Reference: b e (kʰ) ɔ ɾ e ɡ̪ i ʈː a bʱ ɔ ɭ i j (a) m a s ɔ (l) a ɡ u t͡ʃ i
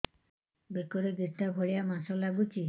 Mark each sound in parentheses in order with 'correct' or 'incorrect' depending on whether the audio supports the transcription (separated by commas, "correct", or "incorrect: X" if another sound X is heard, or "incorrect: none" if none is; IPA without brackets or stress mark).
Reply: incorrect: k, correct, correct